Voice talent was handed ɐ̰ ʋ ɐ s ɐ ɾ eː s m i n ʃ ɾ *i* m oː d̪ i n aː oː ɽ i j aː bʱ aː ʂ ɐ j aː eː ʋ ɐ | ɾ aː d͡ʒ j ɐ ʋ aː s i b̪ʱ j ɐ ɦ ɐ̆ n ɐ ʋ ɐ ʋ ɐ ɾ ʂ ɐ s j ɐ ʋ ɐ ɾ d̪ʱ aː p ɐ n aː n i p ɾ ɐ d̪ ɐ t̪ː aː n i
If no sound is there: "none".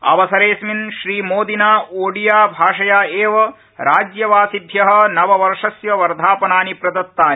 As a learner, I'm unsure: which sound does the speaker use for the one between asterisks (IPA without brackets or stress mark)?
iː